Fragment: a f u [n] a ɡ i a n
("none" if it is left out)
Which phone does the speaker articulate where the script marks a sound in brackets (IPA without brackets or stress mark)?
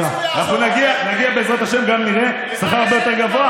n